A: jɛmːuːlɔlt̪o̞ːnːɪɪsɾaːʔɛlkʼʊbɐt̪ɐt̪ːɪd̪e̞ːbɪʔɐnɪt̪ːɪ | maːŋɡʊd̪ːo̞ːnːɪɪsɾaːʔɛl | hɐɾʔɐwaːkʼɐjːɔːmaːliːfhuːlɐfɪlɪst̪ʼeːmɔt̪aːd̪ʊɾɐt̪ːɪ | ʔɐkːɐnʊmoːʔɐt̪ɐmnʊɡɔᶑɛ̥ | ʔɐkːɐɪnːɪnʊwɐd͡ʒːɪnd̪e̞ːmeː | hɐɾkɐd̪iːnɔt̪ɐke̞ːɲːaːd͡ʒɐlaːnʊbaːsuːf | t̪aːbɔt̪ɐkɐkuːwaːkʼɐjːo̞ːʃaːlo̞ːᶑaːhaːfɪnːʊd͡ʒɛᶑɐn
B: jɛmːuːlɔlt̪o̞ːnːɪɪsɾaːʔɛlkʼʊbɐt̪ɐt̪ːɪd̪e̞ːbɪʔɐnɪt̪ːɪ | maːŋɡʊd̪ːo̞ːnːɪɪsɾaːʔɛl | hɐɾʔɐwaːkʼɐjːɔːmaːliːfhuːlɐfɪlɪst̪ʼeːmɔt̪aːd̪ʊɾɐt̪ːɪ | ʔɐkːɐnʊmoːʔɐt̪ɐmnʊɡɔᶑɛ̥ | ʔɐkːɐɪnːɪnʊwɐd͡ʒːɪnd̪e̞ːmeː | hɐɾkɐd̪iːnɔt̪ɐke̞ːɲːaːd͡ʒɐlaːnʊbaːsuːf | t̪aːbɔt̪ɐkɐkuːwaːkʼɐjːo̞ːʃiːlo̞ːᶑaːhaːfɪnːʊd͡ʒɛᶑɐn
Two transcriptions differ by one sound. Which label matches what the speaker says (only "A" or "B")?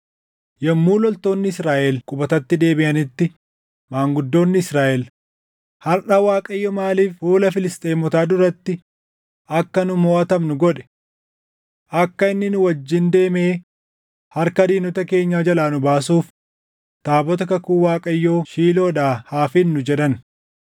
B